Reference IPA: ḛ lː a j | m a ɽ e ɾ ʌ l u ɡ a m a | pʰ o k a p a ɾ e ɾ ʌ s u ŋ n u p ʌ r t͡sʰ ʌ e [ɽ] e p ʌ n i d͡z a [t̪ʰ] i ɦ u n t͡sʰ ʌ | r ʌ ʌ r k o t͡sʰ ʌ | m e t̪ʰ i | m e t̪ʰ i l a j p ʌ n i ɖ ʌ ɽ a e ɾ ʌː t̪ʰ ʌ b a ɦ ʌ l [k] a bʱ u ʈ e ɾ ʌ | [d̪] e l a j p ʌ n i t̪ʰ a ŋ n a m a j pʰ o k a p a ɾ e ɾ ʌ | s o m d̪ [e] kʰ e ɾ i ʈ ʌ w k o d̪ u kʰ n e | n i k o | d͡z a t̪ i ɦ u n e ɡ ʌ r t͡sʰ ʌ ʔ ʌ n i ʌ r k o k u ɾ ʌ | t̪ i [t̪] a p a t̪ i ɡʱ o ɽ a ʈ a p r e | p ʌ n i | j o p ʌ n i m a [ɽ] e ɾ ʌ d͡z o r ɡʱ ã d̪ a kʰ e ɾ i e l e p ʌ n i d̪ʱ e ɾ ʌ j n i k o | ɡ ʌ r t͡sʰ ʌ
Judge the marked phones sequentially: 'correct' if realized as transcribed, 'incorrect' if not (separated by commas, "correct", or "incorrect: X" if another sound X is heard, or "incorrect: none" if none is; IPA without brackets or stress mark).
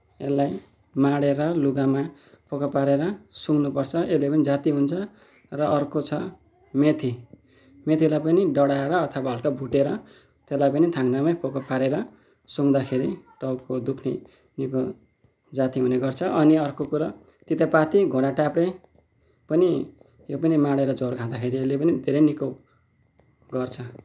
incorrect: l, incorrect: t̪, correct, incorrect: t̪, incorrect: a, correct, correct